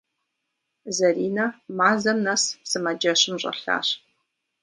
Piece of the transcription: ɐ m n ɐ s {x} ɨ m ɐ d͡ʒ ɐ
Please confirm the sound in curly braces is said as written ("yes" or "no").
no